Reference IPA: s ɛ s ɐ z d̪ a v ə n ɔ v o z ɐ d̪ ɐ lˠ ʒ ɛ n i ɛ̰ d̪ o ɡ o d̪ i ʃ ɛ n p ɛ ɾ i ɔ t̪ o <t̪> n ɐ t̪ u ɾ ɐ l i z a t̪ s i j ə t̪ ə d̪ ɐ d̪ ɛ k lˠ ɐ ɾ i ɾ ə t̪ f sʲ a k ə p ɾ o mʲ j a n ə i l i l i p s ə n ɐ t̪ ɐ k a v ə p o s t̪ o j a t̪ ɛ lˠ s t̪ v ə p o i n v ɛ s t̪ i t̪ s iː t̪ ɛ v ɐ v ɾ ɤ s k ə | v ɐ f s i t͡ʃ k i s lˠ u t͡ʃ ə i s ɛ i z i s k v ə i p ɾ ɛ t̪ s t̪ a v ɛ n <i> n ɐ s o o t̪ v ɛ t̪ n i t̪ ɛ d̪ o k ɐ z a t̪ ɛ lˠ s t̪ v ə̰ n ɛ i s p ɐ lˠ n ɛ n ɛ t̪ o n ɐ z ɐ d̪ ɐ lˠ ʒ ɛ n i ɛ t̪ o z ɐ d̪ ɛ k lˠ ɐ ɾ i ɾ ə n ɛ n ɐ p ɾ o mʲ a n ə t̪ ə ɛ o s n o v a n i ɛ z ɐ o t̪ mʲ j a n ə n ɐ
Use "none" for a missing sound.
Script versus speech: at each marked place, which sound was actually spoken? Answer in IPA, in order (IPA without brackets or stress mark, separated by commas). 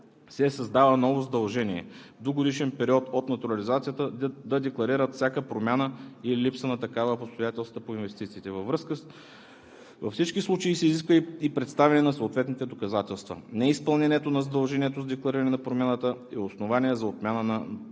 t̪, ɛ